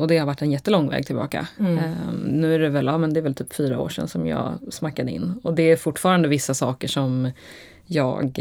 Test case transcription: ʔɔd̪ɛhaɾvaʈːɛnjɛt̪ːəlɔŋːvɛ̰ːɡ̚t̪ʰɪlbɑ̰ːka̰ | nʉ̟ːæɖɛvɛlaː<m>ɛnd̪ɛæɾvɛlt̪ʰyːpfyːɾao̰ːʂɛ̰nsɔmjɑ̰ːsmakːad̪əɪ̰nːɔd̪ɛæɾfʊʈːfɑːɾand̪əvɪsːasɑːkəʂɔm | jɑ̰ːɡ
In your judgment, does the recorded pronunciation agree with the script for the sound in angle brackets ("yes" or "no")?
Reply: yes